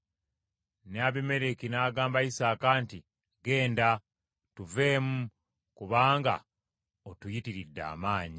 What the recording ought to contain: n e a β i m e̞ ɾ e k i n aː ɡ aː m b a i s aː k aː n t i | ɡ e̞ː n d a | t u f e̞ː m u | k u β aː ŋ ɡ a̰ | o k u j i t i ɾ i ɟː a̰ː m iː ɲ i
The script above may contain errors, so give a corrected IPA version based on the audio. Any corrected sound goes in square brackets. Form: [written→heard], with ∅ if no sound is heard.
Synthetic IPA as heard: n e a β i m e̞ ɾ e k i n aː ɡ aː m b a i s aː k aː n t i | ɡ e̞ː n d a | t u [f→v] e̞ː m u | k u β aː ŋ ɡ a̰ | o [k→t] u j i t i ɾ i [ɟː→dː] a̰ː m [iː→aː] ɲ i